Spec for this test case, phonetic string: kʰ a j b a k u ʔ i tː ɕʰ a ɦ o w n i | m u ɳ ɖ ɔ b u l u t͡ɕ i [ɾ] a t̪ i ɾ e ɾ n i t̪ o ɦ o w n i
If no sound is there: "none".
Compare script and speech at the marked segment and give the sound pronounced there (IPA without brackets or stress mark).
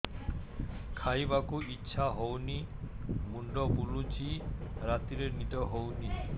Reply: ɾ